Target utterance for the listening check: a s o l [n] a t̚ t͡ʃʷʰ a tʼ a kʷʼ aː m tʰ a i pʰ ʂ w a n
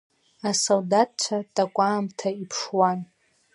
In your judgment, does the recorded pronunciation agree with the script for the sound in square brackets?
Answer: no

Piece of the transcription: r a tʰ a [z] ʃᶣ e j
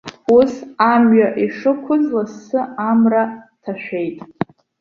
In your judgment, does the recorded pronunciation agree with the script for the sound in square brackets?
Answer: no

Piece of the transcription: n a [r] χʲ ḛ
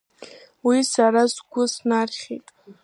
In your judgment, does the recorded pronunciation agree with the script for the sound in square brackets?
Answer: yes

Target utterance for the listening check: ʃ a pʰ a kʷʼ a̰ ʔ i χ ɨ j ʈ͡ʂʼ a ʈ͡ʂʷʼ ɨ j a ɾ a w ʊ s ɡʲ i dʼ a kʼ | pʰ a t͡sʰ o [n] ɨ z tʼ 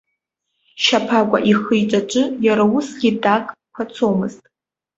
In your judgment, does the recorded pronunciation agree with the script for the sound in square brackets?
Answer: no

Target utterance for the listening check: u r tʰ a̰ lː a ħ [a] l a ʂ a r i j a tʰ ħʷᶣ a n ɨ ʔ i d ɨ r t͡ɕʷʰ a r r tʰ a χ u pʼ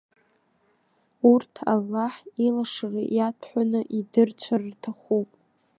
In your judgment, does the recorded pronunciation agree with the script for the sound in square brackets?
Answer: no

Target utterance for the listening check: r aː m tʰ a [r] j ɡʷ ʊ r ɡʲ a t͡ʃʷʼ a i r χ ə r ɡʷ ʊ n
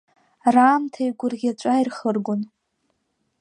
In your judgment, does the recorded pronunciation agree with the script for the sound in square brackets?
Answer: no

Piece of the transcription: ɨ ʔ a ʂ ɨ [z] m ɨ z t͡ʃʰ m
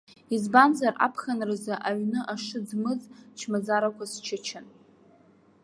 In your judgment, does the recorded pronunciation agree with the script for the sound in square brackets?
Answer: no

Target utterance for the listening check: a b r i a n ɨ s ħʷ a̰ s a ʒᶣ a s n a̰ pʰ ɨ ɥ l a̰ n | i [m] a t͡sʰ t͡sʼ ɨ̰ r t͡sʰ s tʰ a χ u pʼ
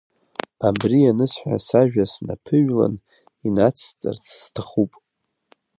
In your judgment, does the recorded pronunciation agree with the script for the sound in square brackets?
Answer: no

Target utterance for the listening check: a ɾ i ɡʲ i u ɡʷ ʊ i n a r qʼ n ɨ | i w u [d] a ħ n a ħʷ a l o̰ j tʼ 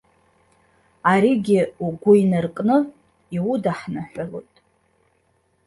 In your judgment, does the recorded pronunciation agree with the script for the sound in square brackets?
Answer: yes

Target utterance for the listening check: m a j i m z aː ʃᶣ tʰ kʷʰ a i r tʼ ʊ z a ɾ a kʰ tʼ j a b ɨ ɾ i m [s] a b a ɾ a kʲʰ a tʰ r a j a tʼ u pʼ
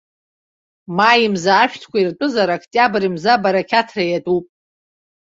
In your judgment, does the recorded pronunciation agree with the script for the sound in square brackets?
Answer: no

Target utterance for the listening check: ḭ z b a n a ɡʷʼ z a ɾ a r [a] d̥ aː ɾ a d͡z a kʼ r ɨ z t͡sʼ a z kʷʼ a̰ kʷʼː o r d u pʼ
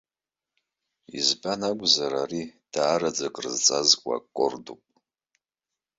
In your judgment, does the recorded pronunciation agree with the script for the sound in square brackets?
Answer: no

